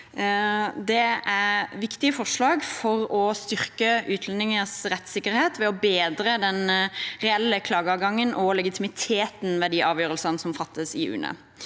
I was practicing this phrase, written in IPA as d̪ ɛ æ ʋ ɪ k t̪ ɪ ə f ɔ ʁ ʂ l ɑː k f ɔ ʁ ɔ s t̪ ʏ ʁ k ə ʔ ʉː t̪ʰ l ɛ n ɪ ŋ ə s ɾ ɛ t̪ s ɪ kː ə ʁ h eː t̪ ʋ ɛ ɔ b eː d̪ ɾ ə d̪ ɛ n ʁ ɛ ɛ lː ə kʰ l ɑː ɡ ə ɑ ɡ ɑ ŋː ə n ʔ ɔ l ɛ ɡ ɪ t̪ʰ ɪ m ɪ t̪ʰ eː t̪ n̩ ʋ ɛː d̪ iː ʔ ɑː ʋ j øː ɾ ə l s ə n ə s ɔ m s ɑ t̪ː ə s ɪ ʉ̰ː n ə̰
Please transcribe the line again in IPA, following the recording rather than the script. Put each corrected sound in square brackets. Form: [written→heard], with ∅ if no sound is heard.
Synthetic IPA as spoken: d̪ ɛ æ ʋ ɪ k t̪ ɪ ə f ɔ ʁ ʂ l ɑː [k→ɡ] f ɔ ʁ ɔ s t̪ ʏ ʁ k ə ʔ ʉː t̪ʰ l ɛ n ɪ ŋ ə s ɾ ɛ t̪ s ɪ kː ə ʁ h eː t̪ ʋ ɛ ɔ b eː d̪ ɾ ə d̪ ɛ n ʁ ɛ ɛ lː ə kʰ l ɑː ɡ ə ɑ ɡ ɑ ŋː ə n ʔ ɔ l ɛ ɡ ɪ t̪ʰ ɪ m ɪ t̪ʰ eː t̪ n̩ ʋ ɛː d̪ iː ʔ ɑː ʋ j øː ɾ ə l s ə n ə s ɔ m [s→f] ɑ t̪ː ə s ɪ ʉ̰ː n ə̰